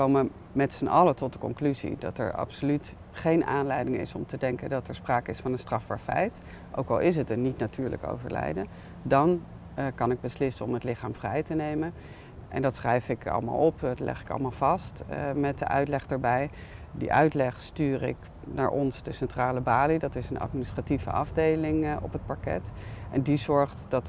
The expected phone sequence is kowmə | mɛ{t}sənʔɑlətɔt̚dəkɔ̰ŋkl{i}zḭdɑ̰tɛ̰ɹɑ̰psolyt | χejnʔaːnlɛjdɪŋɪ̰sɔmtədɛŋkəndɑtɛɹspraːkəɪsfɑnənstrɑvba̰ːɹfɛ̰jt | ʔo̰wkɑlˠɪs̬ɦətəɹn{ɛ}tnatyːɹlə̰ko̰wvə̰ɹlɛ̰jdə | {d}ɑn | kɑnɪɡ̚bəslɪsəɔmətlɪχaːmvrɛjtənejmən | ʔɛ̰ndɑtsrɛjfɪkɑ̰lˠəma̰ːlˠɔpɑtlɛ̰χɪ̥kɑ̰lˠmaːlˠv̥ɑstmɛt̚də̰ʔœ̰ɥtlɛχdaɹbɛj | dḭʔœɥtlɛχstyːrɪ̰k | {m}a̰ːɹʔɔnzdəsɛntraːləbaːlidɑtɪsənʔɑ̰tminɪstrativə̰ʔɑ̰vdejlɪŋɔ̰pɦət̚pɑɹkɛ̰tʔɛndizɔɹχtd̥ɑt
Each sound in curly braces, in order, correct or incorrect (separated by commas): correct, incorrect, incorrect, correct, incorrect